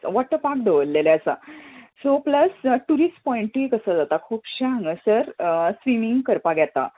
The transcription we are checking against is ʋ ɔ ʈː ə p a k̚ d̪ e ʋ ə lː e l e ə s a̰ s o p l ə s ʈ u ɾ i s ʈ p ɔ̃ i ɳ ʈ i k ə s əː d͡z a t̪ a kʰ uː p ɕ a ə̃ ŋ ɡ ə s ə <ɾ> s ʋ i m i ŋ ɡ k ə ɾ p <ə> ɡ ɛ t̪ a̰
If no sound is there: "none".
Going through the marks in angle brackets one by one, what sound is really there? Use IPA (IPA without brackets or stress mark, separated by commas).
ɾ, a